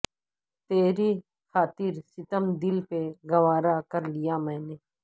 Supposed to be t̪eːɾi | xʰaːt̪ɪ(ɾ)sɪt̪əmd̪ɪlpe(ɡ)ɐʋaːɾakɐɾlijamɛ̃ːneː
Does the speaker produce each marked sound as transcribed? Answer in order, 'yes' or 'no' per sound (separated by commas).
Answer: yes, yes